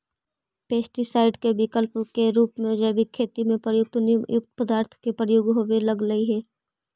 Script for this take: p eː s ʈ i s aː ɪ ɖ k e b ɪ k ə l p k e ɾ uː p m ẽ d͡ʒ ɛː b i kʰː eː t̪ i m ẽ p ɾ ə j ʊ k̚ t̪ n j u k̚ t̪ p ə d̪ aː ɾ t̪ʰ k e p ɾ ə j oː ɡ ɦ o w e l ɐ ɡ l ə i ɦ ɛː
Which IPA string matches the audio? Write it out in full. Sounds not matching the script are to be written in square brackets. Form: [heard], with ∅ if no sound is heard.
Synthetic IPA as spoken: p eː s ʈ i s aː ɪ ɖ k e b ɪ k ə l p k e ɾ uː p m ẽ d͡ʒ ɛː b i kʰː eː t̪ i m ẽ p ɾ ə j ʊ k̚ t̪ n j [ʊ] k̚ t̪ p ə d̪ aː ɾ t̪ʰ k e p ɾ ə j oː ɡ ɦ o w e l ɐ ɡ l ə i ɦ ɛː